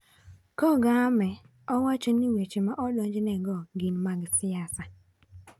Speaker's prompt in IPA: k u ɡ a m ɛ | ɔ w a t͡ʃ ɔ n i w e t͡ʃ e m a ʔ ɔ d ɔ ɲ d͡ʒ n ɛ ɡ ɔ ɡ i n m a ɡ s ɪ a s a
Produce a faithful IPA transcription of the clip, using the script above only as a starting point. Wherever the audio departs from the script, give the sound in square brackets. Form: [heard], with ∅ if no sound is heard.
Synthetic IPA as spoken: k [ɔ] ɡ a m ɛ | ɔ w a t͡ʃ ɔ n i w e t͡ʃ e m a ʔ ɔ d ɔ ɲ d͡ʒ n ɛ ɡ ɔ ɡ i n m a ɡ s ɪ a s a